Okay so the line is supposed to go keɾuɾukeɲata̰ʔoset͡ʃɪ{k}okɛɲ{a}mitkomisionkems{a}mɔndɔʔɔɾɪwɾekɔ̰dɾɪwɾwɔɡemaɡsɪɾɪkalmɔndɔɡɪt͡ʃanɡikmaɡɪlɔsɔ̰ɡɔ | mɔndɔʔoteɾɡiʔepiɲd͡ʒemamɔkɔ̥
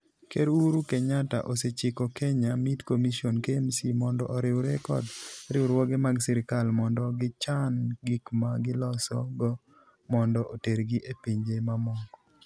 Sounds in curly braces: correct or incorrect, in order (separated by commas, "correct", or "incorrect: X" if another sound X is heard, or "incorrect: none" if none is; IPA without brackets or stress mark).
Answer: correct, correct, incorrect: i